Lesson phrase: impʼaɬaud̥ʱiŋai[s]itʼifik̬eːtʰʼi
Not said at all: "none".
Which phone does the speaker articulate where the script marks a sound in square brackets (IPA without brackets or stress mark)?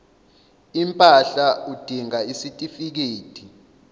s